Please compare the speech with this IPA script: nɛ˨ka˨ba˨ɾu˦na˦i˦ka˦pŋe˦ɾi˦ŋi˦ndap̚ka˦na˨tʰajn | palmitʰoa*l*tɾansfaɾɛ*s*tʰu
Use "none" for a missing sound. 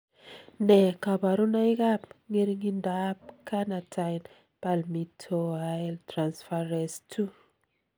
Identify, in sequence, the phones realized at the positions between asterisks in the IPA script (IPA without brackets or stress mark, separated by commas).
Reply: l, s